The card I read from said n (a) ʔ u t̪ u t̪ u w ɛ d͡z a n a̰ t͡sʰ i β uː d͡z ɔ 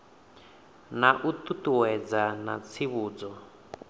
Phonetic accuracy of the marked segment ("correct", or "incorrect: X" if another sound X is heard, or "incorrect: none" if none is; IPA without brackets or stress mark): correct